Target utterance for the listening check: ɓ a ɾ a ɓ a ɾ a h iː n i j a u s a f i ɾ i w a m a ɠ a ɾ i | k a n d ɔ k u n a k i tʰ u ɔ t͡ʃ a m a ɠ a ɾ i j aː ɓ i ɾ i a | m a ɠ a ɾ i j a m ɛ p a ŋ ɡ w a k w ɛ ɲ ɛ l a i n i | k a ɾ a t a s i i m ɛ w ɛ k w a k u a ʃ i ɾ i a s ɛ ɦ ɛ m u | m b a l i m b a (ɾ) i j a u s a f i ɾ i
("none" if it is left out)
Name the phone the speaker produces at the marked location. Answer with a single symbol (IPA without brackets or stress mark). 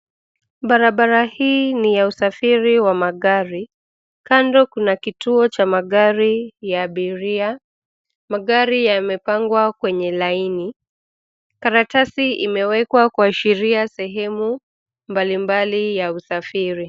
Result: l